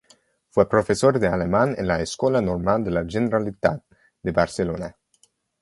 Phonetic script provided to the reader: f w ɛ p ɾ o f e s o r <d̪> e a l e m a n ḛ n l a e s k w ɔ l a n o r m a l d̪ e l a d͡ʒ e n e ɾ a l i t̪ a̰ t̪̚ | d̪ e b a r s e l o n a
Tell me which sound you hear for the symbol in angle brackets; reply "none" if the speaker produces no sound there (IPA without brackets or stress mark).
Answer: d̪